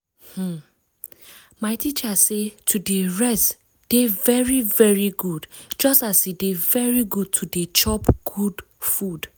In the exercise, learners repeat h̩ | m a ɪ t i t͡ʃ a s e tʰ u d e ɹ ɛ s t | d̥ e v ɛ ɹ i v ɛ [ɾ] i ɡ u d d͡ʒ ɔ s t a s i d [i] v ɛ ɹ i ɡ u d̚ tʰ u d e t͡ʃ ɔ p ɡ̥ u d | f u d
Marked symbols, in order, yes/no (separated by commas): no, no